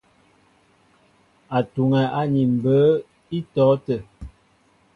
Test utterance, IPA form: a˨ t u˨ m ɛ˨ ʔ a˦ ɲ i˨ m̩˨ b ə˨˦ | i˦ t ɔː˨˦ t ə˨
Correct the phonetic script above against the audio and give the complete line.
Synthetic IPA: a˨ t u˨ ŋ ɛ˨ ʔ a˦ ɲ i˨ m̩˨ b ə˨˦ | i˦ t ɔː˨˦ t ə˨